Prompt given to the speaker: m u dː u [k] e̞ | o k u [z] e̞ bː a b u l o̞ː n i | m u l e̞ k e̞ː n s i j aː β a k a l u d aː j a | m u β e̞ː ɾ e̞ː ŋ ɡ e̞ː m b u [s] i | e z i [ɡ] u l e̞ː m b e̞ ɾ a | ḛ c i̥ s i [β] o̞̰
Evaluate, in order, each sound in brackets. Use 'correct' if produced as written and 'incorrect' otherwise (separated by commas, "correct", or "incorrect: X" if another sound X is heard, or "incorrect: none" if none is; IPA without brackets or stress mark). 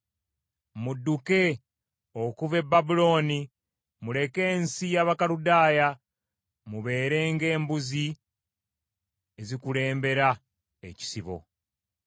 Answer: correct, incorrect: v, incorrect: z, incorrect: k, correct